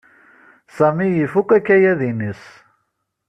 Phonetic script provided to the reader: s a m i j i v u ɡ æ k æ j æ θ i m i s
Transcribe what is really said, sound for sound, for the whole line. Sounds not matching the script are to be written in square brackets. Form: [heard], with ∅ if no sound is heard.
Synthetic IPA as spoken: s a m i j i [f] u [k] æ k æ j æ [ð] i [n] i s